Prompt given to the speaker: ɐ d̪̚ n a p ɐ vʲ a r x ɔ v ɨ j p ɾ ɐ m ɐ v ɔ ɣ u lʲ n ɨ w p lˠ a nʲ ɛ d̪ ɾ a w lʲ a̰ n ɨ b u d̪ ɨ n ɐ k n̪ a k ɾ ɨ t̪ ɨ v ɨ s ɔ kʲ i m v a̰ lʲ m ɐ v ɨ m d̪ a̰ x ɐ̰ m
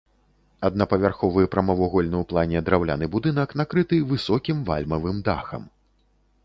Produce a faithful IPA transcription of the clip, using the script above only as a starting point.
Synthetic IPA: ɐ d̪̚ n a p ɐ vʲ a r x ɔ v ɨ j p ɾ ɐ m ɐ v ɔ ɣ ɔ lʲ n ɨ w p lˠ a nʲ ɛ d̪ ɾ a w lʲ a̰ n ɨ b u d̪ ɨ n ɐ k n̪ a k ɾ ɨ t̪ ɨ v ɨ s ɔ kʲ i m v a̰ lʲ m ɐ v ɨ m d̪ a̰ x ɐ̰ m